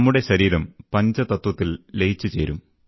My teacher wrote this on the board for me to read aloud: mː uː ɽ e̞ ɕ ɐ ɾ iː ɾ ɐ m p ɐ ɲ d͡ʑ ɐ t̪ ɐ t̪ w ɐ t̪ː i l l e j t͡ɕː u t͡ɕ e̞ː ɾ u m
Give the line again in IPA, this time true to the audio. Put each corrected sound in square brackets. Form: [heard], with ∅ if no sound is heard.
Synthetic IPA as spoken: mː [u] ɽ e̞ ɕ ɐ ɾ iː ɾ ɐ m p ɐ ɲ d͡ʑ ɐ t̪ ɐ t̪ w ɐ t̪ː i l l e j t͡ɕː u t͡ɕ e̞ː ɾ u m